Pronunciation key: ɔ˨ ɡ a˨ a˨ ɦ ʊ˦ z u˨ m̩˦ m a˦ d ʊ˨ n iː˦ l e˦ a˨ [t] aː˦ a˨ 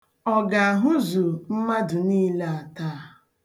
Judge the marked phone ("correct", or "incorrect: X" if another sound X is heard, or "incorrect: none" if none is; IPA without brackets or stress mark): correct